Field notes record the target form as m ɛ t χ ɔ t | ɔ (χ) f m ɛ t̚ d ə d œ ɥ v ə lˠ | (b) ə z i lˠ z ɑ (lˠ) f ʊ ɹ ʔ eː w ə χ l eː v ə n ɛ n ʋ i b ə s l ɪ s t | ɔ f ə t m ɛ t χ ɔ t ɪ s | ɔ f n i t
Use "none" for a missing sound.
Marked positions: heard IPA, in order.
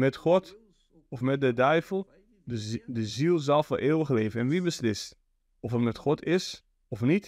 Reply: none, d, lˠ

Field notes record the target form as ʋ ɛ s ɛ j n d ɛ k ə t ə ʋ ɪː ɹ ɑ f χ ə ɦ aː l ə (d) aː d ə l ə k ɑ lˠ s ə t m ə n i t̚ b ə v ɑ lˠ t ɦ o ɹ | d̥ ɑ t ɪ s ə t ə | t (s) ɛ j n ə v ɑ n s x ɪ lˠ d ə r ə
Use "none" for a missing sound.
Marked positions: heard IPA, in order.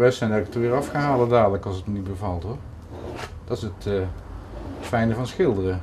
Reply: d, f

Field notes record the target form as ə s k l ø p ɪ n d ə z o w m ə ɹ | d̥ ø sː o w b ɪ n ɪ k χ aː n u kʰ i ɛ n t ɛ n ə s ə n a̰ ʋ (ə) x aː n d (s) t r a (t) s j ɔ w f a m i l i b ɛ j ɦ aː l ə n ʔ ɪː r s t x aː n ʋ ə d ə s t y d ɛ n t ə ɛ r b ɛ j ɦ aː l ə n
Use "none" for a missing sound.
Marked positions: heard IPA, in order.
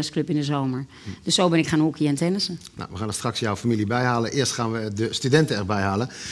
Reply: ə, s, k

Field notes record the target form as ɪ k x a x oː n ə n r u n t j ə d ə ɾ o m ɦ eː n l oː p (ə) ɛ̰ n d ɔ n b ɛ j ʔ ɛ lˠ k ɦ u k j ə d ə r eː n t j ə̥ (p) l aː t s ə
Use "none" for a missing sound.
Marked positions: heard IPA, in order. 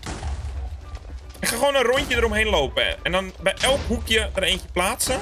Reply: ə, p

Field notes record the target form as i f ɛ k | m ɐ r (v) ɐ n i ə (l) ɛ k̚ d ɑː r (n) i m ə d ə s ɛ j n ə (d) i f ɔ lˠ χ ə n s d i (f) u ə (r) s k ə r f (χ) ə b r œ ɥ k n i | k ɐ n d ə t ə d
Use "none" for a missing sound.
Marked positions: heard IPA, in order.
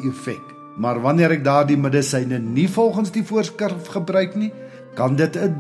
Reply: v, ɾ, d, n, f, r, χ

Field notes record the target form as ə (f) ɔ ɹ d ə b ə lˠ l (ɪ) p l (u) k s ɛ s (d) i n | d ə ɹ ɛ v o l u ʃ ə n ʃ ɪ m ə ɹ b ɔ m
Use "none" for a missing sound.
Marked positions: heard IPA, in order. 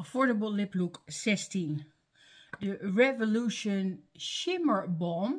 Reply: f, ɪ, u, t

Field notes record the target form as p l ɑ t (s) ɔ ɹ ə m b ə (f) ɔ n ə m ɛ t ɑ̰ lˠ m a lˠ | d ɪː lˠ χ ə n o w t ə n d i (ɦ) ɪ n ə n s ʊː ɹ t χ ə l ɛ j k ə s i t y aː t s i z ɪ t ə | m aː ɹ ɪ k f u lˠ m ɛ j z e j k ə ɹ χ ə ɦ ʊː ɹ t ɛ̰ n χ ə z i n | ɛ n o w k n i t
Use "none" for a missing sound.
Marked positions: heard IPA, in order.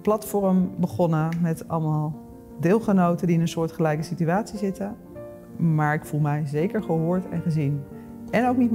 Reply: f, χ, none

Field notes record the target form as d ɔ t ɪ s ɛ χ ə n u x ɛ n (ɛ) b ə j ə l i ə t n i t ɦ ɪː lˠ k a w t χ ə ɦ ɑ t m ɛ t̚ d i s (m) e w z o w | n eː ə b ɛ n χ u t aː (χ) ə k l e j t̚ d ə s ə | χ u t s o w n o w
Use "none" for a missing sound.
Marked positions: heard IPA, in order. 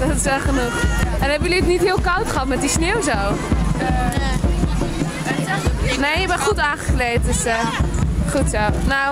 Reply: ɛ, n, χ

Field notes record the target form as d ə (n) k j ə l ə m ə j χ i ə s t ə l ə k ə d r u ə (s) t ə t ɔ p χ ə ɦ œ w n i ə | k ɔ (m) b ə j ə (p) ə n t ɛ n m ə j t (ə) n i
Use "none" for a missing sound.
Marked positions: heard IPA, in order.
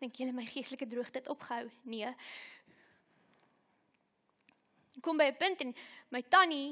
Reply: ŋ, χ, m, p, ɐ

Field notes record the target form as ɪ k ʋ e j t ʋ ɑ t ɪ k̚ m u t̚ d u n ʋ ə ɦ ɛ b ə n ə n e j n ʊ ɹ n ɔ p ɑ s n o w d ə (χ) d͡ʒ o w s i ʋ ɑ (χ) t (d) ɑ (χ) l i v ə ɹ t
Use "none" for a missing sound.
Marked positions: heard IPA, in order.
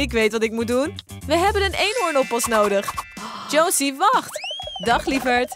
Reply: χ, χ, d, χ

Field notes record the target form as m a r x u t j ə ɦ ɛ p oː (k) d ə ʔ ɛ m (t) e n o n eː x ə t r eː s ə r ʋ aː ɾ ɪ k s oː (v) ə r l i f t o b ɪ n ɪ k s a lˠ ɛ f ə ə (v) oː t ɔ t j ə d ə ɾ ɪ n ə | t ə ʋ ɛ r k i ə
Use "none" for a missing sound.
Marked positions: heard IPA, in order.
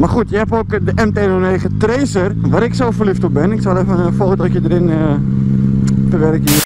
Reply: k, t, f, f

